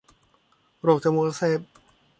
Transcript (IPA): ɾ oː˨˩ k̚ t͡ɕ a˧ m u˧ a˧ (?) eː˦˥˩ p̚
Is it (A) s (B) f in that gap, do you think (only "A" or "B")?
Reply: A